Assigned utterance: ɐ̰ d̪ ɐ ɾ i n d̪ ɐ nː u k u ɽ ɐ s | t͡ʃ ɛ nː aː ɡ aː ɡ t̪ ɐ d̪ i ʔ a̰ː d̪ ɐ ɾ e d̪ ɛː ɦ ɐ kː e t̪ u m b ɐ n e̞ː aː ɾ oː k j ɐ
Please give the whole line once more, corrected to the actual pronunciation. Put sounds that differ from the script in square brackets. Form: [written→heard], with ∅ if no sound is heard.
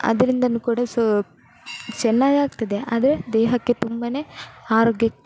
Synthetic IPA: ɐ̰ d̪ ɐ ɾ i n d̪ ɐ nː u k [u→uː] ɽ ɐ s | t͡ʃ ɛ nː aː ɡ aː ɡ t̪ ɐ d̪ [i→e] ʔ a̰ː d̪ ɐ ɾ e d̪ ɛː ɦ ɐ kː e t̪ u m b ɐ n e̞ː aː ɾ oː [k→ɡ] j ɐ